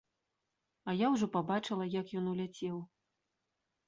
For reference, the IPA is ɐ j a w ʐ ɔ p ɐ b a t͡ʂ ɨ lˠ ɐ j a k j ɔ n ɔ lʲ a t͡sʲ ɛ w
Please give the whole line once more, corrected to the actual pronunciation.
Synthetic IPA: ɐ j a w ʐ ɔ p a b a t͡ʂ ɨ lˠ ɐ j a k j ɔ n u lʲ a t͡sʲ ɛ w